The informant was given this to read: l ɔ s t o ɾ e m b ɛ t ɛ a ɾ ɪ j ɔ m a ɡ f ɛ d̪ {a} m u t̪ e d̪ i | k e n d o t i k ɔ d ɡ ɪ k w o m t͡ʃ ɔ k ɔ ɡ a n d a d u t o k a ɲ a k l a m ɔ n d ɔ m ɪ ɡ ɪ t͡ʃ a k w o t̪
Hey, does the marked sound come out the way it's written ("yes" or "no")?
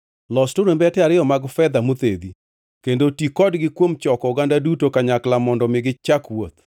yes